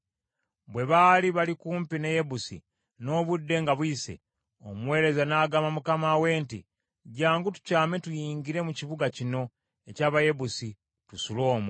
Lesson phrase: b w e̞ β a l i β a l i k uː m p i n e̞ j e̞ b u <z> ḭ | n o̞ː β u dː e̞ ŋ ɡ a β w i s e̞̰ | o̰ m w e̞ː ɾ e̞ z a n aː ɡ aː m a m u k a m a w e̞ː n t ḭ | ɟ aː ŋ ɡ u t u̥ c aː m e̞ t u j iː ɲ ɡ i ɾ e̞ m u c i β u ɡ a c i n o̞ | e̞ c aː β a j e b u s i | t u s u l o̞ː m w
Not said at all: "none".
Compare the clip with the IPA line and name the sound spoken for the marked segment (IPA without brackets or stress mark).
s